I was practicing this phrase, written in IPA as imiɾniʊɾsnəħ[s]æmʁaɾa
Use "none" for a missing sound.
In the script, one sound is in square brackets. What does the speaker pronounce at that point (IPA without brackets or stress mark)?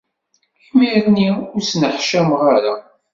ʃ